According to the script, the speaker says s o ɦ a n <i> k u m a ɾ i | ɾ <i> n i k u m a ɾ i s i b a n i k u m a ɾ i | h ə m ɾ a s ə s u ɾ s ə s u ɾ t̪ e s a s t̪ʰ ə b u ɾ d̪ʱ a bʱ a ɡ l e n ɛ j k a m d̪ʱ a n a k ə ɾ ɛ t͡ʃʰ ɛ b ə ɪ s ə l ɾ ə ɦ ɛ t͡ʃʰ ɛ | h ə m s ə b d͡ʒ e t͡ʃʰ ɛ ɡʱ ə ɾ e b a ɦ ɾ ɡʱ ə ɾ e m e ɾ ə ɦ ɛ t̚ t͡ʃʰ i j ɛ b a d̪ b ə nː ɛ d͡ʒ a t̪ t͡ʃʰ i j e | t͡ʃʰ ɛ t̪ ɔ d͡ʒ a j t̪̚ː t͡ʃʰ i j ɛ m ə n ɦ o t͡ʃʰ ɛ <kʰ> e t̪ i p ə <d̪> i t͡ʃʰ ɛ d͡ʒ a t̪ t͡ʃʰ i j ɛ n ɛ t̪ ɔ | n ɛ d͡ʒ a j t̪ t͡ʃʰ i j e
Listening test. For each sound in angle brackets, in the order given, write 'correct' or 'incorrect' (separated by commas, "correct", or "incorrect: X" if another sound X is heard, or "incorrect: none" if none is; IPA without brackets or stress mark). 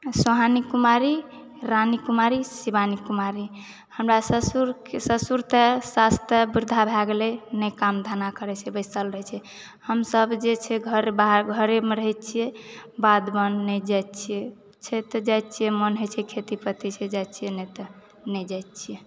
correct, incorrect: a, correct, incorrect: t̪